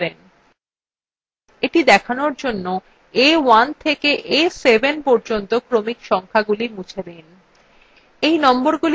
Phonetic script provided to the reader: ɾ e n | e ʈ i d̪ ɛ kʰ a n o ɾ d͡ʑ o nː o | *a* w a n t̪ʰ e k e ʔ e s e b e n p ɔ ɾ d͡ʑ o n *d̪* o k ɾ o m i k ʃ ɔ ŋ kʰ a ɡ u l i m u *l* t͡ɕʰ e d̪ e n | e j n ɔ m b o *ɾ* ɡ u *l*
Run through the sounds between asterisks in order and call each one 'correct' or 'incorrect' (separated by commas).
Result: incorrect, incorrect, incorrect, correct, correct